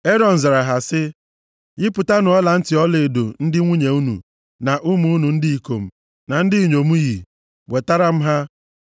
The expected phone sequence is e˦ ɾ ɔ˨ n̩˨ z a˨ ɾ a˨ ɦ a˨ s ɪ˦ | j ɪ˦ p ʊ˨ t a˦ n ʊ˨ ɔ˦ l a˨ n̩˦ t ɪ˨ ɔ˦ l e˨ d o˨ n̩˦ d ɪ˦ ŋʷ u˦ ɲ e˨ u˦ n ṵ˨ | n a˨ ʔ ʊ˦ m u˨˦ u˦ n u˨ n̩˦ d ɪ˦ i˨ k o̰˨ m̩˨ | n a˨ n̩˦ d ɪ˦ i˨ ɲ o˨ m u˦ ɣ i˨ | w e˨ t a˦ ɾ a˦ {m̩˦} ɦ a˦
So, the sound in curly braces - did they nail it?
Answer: yes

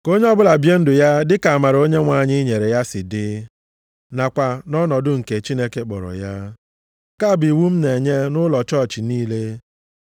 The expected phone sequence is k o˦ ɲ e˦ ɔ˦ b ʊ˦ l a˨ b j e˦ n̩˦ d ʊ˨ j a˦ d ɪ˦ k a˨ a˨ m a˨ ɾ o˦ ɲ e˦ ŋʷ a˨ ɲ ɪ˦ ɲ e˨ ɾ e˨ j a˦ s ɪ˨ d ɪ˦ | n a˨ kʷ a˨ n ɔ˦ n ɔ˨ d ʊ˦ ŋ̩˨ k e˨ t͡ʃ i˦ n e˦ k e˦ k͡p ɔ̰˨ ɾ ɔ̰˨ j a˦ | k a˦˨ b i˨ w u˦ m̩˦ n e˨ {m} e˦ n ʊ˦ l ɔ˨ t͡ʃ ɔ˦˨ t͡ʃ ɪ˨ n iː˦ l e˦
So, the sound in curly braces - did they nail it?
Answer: no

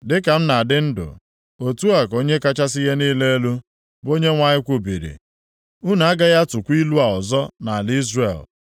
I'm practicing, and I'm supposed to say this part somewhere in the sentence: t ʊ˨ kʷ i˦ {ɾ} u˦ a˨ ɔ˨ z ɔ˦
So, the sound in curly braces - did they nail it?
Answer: no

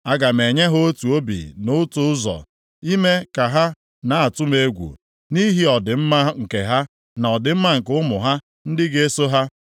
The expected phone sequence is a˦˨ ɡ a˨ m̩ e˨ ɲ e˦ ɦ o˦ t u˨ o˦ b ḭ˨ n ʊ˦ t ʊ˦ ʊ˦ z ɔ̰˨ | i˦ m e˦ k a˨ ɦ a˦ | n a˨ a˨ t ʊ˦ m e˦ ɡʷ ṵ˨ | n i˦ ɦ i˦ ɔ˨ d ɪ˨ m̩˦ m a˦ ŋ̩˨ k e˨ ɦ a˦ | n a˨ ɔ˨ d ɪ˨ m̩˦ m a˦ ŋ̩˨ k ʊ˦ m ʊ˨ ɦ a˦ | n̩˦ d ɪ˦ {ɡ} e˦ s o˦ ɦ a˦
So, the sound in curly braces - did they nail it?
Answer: yes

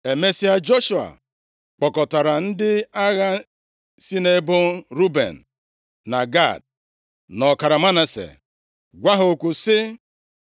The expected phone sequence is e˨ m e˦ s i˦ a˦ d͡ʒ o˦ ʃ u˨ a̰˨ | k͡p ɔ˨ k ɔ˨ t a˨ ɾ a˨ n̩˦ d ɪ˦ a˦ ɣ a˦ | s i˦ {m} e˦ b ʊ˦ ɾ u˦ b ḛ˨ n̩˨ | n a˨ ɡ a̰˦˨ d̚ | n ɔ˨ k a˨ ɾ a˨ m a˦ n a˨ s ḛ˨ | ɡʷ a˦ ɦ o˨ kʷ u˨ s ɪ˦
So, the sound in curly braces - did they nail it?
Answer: no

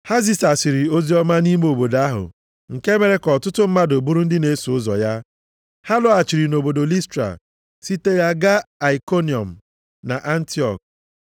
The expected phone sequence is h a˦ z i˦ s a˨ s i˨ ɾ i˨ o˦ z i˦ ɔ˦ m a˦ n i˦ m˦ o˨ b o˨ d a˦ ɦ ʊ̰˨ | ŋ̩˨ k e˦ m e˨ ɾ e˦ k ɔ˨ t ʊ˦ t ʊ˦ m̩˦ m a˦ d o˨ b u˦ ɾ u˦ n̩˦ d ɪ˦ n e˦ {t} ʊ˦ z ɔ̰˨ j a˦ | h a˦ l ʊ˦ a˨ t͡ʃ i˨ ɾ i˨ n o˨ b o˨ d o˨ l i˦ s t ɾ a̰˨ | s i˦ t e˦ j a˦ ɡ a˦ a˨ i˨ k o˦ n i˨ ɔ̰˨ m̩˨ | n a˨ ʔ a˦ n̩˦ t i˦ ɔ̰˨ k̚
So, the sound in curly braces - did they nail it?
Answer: no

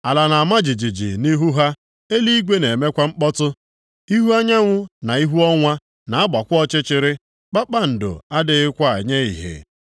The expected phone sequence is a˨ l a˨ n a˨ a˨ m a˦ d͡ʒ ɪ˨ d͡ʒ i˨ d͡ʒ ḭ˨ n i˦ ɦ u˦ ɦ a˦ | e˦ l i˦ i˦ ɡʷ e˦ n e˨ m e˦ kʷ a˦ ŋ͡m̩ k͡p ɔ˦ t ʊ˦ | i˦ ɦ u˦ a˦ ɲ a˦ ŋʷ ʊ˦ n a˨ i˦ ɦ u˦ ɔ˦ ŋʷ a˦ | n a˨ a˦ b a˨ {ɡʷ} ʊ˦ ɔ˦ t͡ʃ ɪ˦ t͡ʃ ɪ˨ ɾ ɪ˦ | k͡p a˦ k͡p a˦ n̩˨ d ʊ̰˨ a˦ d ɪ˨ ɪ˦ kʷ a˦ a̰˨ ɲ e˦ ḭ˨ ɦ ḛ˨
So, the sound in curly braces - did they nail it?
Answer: no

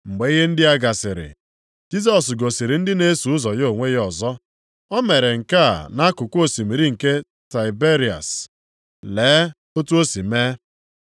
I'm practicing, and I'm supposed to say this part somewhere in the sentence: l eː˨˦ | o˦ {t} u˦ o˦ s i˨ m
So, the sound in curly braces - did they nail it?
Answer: yes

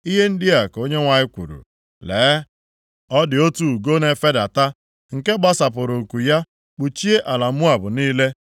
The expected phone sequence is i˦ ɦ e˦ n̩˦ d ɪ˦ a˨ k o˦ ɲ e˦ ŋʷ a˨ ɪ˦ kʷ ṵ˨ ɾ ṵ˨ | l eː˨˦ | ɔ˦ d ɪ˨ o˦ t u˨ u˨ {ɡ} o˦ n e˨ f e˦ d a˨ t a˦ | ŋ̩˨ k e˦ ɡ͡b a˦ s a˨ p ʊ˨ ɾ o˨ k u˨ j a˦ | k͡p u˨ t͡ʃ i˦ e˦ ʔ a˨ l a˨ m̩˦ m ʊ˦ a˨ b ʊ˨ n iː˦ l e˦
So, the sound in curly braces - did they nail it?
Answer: yes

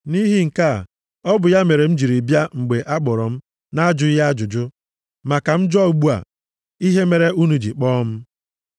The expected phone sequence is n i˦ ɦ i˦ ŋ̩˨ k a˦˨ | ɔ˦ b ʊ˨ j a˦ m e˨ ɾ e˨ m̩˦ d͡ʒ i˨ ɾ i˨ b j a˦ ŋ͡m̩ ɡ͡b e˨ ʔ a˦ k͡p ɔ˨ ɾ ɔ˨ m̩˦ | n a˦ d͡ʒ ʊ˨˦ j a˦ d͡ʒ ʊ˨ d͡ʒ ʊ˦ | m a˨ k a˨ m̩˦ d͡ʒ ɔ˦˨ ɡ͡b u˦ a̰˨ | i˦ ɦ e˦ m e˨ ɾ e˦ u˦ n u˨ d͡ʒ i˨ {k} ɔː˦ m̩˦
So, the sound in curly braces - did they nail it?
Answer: no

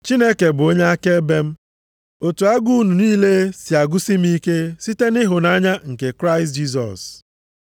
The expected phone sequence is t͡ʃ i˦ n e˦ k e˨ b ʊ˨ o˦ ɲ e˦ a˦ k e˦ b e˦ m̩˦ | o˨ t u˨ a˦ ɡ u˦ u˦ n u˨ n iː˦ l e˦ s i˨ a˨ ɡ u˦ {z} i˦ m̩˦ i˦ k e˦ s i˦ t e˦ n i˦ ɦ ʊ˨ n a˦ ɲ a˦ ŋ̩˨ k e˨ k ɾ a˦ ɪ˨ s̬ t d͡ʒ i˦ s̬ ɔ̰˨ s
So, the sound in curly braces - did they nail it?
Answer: no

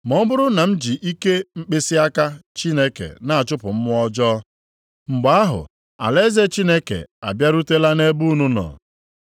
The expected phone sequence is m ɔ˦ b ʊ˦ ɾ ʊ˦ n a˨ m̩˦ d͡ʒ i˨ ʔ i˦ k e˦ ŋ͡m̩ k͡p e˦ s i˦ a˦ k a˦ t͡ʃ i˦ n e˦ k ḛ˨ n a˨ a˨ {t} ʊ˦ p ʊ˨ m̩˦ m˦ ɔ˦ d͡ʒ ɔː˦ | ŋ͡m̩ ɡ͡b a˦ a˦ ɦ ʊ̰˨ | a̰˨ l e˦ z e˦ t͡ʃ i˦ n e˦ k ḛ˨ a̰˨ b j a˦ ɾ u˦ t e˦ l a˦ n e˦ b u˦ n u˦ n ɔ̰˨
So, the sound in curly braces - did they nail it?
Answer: no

